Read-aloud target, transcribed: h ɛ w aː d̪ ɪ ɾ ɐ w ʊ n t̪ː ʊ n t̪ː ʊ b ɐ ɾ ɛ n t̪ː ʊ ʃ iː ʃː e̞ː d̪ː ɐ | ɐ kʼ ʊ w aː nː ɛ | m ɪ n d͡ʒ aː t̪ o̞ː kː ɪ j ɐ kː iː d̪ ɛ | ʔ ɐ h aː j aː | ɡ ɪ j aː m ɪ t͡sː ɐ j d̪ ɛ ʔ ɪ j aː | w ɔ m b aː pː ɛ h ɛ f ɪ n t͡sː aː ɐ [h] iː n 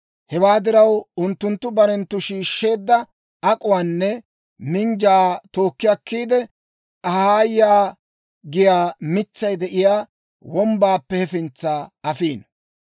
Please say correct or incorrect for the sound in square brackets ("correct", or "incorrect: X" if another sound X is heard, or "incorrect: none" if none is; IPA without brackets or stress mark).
incorrect: f